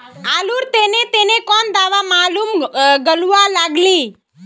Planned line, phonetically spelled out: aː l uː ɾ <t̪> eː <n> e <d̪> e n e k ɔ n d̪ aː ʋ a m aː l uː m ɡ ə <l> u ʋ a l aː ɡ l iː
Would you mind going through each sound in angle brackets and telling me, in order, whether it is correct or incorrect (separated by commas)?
correct, correct, incorrect, correct